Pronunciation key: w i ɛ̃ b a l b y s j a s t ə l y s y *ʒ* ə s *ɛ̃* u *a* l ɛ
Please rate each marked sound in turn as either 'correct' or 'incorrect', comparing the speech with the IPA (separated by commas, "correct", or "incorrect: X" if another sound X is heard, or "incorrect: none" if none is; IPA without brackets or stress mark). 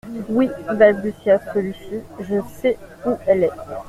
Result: correct, incorrect: ɛ, incorrect: ɛ